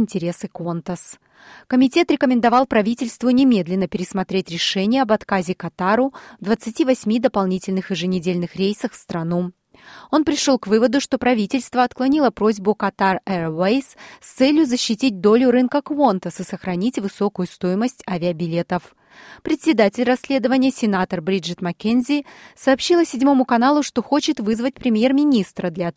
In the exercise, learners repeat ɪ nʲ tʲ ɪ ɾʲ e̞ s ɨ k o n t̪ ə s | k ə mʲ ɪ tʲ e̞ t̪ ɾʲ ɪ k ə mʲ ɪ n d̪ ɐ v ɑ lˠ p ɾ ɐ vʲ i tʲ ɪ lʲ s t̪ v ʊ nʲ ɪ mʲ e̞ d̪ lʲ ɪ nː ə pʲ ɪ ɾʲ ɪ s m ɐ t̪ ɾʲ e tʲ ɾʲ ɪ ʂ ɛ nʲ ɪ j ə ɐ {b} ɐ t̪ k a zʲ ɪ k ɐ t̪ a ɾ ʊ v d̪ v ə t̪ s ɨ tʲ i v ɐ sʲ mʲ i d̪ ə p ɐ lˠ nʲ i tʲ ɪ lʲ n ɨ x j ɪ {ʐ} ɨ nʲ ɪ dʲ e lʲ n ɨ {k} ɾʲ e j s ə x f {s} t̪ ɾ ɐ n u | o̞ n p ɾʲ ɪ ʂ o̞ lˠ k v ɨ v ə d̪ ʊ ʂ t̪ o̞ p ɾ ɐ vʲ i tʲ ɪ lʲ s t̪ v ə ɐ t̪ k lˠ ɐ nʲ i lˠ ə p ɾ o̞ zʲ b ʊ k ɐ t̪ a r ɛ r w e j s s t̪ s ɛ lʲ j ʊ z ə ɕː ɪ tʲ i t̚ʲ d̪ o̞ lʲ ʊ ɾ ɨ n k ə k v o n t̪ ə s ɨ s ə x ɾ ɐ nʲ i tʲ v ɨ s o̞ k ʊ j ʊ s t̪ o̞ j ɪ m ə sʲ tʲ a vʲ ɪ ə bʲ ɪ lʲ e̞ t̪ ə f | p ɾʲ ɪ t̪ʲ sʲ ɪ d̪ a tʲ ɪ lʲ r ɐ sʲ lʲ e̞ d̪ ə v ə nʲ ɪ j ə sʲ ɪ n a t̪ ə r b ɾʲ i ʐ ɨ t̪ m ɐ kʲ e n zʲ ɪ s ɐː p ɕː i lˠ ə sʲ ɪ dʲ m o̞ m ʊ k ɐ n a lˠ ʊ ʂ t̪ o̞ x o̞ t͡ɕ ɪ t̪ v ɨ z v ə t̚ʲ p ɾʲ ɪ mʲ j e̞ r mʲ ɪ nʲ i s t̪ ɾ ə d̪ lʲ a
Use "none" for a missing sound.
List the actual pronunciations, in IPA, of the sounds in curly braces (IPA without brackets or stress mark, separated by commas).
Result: b, ʐ, x, s